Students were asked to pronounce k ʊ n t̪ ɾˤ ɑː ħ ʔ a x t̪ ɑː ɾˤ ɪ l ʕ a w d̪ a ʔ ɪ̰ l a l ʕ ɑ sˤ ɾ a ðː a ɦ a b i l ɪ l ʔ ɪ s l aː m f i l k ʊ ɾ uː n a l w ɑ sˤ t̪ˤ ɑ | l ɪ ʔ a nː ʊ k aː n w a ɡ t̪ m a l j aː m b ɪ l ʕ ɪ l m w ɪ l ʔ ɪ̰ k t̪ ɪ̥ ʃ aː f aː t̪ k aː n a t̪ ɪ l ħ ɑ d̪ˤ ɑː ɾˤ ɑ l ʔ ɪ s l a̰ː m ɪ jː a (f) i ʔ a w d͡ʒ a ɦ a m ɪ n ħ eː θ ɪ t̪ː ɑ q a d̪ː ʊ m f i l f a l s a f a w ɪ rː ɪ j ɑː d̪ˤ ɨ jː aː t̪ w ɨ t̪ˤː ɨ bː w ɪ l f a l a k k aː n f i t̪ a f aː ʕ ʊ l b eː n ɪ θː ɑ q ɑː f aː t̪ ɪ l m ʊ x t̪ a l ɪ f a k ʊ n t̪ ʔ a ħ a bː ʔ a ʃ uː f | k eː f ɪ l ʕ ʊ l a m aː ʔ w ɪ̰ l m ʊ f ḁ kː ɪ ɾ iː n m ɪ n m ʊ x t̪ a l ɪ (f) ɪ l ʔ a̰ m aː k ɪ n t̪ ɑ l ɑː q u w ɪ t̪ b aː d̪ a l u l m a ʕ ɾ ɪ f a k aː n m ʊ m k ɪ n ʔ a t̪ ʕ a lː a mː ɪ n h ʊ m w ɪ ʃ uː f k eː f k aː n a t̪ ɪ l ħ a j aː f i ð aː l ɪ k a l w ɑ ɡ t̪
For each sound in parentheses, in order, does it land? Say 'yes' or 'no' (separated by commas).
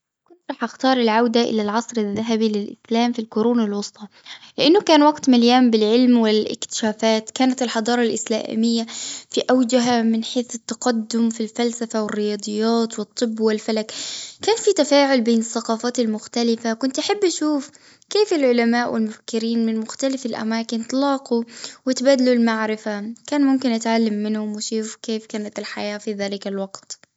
yes, yes